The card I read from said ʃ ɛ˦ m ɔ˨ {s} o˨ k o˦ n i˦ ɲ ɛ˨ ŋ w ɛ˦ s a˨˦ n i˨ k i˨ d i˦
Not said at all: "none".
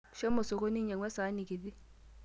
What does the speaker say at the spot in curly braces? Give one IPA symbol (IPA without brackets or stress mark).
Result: s